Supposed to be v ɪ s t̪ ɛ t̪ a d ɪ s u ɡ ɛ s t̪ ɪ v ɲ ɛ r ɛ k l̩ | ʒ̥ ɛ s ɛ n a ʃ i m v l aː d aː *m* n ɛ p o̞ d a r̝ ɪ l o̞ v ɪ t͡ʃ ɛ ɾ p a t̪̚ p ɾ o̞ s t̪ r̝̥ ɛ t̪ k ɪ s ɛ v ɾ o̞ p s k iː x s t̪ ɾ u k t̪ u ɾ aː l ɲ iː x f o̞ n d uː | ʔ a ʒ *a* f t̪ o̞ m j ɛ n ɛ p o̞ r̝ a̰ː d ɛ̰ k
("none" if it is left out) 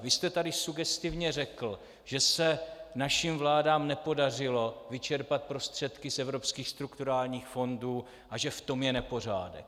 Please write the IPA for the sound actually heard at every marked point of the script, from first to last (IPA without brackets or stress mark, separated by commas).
m, ɛ